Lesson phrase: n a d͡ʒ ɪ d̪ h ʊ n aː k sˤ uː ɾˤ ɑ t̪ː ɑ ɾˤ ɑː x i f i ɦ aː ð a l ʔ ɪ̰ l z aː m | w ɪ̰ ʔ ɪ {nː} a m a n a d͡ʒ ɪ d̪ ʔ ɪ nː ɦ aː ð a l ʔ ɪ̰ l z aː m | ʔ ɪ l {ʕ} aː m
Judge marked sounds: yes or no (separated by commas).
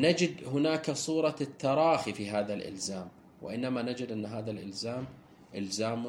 yes, no